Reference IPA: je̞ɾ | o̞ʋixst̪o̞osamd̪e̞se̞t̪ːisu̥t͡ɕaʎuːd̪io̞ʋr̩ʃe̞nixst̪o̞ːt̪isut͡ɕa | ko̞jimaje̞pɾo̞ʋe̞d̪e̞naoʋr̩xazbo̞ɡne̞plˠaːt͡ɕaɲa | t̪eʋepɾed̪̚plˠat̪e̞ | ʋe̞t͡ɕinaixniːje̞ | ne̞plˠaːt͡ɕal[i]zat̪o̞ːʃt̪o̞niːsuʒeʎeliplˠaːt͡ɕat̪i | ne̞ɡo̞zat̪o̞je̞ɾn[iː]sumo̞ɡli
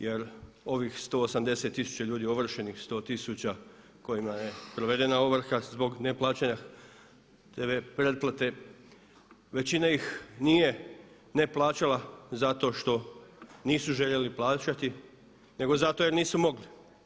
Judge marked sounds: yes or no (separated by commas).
no, yes